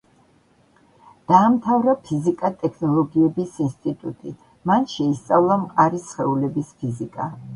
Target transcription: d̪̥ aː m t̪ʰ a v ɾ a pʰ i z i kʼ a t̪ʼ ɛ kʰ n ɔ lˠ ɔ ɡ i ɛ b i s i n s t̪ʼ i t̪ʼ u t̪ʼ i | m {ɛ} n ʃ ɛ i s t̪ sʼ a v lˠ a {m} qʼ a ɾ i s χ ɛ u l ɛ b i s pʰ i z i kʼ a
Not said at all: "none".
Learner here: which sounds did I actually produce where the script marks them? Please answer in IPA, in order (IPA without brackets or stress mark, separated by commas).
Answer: a, m